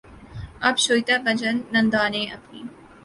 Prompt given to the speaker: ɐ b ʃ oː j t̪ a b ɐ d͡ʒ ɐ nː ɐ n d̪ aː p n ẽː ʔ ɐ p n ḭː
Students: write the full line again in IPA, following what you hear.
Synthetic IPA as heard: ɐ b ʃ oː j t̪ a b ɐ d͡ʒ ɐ nː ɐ n d̪ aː n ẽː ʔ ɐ p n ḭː